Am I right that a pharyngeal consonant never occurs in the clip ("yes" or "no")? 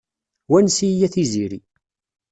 yes